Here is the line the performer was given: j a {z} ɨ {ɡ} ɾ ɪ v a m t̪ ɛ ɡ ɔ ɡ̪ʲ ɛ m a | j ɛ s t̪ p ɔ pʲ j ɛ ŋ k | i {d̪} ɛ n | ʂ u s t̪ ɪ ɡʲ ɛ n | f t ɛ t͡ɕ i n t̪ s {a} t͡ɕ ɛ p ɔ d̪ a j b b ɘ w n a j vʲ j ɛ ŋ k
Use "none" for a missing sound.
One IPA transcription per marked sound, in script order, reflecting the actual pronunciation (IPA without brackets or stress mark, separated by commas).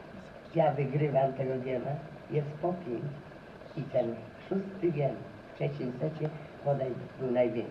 v, ɡ, t̪, ɛ